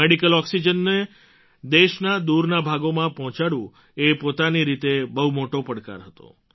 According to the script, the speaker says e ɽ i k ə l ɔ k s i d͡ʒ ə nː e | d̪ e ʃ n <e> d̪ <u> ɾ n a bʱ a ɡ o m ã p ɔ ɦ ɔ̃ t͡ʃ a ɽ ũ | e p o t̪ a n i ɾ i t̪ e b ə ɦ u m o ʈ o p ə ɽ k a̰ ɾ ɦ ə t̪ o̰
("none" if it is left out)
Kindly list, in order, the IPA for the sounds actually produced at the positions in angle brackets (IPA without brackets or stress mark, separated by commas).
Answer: a, u